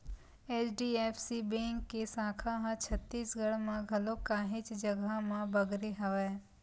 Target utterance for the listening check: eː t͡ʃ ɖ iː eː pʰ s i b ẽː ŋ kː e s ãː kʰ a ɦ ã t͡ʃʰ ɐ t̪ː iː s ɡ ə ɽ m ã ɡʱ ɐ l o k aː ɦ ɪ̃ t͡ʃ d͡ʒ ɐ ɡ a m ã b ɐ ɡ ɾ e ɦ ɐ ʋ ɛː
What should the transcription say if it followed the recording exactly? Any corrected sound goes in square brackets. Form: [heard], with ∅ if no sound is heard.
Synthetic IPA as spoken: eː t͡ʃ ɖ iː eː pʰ s i b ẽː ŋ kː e s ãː kʰ a ɦ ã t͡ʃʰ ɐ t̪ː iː s ɡ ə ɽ m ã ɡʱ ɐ l o k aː ɦ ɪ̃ t͡ʃ d͡ʒ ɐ ɡ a m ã b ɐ ɡ ɾ e ɦ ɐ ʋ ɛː